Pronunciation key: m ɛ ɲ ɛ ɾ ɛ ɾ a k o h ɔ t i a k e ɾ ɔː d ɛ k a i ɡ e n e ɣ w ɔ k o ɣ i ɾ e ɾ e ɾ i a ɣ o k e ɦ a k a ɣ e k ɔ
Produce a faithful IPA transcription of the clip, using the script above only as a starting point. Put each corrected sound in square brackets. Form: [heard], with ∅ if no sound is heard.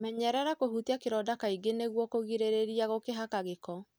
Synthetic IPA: m ɛ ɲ ɛ ɾ ɛ ɾ a k o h [u] t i a k e ɾ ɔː d [a] k a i ɡ e n e ɣ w ɔ k o ɣ i ɾ e ɾ e ɾ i a ɣ o k e ɦ a k a ɣ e k ɔ